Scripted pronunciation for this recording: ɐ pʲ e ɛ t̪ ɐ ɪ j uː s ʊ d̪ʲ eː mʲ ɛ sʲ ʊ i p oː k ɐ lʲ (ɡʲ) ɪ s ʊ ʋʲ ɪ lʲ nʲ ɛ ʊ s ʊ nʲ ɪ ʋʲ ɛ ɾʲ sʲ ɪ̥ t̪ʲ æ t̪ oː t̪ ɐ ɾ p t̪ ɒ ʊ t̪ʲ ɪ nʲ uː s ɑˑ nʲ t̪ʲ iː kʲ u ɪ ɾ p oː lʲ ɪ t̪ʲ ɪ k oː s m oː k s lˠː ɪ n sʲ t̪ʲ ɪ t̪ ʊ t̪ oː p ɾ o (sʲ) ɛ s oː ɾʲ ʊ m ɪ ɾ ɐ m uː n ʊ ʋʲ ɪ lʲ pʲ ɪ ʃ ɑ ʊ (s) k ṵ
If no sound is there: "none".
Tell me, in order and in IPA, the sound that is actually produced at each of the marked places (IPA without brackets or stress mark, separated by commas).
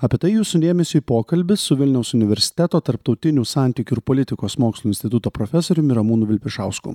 bʲ, fʲ, s